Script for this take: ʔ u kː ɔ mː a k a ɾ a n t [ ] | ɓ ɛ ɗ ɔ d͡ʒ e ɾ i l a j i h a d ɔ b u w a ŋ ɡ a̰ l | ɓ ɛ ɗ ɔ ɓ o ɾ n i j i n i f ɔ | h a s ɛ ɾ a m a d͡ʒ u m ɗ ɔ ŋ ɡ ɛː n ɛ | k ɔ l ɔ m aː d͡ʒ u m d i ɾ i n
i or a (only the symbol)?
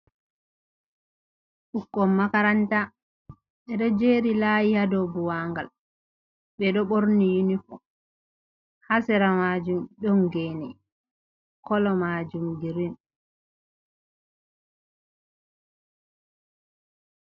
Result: a